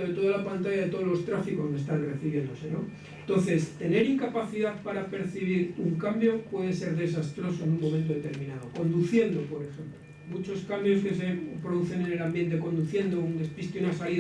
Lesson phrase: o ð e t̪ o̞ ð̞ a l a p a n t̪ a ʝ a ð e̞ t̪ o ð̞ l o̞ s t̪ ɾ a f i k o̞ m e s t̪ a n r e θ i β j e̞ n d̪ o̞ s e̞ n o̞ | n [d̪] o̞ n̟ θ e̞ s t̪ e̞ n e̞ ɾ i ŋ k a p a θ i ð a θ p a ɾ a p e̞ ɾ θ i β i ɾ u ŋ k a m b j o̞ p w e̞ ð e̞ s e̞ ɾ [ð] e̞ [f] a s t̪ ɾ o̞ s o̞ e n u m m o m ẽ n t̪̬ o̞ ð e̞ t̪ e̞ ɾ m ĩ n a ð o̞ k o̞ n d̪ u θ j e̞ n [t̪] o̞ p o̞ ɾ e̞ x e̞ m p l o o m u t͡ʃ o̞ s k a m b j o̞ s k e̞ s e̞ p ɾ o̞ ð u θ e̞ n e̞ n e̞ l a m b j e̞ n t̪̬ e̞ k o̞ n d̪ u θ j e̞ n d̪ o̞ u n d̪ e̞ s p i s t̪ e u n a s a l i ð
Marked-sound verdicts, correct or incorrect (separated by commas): incorrect, correct, incorrect, incorrect